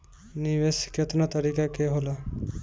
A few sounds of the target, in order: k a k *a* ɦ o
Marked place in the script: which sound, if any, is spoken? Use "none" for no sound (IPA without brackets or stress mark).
e